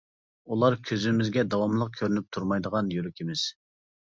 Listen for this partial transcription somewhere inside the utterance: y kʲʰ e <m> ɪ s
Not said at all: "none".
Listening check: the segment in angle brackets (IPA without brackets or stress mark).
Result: m